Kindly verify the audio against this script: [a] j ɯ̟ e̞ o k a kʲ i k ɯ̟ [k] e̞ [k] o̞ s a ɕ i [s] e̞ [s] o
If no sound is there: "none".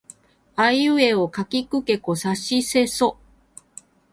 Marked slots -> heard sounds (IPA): a, k, k, s, s

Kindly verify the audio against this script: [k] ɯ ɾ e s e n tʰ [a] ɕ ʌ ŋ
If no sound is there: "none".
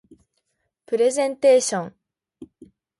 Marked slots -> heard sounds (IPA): p, e

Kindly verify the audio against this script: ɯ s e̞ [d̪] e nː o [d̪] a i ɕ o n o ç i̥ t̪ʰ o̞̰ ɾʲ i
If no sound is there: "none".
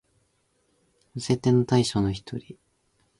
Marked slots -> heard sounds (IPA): t̪, t̪

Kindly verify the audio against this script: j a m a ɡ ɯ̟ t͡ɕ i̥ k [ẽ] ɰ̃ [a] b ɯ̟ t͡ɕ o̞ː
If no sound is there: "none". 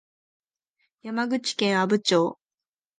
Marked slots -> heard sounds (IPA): ẽ, a

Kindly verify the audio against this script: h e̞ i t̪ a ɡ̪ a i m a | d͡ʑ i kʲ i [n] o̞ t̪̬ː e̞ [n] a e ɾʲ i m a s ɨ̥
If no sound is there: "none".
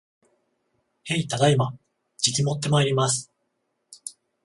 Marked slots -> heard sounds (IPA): m, m

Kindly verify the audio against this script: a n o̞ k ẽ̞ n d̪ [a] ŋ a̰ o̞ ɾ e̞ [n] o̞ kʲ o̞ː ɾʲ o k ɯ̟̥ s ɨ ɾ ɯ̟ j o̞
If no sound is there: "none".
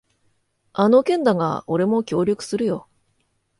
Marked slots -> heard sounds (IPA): a, m

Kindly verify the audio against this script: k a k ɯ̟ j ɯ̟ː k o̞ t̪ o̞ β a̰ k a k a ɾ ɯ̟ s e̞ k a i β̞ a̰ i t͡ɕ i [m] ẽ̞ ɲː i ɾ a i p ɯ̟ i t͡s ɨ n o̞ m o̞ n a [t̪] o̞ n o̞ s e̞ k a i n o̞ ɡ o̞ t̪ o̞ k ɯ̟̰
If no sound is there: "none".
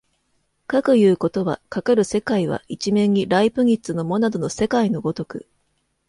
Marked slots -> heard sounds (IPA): m, d̪

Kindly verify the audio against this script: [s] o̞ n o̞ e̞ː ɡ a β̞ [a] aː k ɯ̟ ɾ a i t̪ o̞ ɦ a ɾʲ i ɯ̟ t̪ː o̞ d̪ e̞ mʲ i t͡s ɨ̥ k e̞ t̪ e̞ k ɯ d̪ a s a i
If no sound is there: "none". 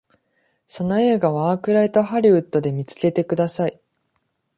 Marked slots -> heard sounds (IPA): s, a

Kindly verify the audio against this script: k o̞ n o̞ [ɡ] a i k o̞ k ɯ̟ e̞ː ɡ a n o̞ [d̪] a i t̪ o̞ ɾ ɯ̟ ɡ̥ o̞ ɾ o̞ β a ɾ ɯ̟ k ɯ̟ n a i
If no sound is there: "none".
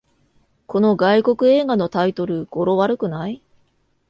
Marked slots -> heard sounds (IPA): ɡ, t̪

